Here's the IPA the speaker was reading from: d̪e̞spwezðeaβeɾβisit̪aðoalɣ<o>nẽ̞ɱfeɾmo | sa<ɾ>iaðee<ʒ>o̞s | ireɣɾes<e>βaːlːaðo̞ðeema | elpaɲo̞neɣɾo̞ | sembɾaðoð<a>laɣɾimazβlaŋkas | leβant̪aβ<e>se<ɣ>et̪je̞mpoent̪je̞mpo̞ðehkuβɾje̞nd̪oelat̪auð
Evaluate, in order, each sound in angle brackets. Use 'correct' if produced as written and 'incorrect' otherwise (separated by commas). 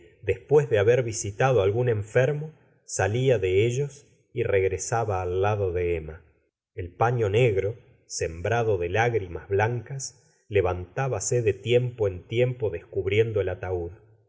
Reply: incorrect, incorrect, correct, incorrect, incorrect, incorrect, incorrect